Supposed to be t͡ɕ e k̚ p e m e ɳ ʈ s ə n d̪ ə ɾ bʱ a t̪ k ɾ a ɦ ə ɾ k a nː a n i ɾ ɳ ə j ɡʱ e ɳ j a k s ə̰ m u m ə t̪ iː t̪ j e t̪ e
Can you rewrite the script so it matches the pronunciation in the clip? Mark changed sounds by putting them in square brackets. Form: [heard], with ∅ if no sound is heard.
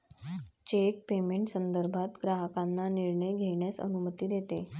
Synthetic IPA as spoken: t͡ɕ e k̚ p e m e ɳ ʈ s ə n d̪ ə ɾ bʱ a t̪ [ɡ] ɾ a ɦ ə [∅] k a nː a n i ɾ ɳ ə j ɡʱ e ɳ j a [∅] s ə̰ [n] u m ə t̪ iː [d̪] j e t̪ e